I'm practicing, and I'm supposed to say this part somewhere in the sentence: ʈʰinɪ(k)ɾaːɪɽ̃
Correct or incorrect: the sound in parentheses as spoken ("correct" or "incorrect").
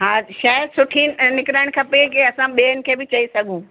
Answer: correct